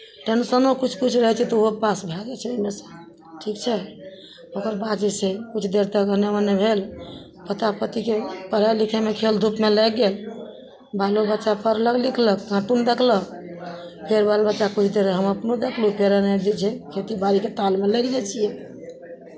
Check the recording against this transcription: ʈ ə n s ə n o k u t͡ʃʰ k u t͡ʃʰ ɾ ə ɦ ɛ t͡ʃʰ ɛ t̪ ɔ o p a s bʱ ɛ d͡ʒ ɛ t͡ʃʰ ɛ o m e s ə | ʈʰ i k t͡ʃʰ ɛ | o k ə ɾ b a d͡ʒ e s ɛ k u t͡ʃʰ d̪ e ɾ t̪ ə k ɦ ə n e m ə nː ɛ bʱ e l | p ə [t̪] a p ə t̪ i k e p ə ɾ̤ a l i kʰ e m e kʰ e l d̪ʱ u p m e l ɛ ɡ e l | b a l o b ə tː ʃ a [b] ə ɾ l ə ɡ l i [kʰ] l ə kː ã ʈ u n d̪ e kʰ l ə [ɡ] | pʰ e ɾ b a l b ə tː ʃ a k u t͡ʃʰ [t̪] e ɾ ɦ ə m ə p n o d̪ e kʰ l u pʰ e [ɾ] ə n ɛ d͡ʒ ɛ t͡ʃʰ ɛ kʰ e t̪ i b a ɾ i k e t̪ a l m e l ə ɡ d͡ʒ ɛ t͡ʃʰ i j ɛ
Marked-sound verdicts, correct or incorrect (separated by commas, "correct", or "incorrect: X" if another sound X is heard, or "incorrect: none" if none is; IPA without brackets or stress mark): correct, incorrect: p, correct, incorrect: k, incorrect: d̪, correct